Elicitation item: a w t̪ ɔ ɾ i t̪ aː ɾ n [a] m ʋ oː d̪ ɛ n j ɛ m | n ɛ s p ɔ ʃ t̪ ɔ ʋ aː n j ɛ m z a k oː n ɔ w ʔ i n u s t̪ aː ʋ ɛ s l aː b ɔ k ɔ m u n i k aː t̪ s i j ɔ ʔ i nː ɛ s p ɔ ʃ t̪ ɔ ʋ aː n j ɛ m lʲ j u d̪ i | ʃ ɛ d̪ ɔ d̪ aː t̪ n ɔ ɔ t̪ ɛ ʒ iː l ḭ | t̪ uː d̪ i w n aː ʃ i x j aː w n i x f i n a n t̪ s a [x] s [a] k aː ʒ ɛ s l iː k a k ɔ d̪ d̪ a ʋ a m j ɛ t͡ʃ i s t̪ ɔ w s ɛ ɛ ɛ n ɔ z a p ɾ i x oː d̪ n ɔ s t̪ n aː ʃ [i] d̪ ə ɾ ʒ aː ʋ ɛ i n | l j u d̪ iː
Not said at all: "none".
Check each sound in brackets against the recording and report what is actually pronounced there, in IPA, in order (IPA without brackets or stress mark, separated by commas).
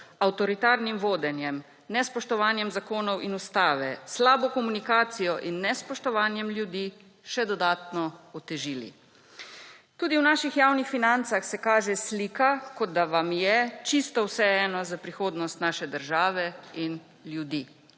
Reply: i, x, ɛ, ɛ